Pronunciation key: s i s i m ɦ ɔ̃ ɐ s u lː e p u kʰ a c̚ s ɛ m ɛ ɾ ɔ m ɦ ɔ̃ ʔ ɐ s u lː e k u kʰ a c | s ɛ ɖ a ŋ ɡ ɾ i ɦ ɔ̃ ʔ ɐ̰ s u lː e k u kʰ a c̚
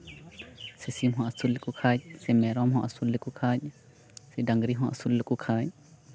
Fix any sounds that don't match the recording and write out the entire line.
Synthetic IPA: s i s i m ɦ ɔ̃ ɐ s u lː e k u kʰ a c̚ s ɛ m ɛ ɾ ɔ m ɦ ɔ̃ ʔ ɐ s u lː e k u kʰ a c | s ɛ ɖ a ŋ ɡ ɾ i ɦ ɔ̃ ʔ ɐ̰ s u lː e k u kʰ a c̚